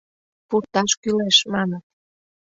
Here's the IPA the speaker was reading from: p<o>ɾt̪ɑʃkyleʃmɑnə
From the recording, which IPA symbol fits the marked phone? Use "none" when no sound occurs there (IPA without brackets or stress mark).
u